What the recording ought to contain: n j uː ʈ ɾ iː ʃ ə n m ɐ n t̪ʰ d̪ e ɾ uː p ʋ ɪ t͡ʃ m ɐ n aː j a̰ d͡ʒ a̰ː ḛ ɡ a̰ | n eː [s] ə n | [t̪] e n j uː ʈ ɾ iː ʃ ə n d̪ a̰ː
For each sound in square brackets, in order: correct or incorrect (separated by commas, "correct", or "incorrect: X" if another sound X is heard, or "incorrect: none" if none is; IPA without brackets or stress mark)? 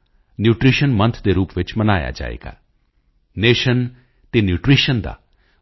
incorrect: ʃ, correct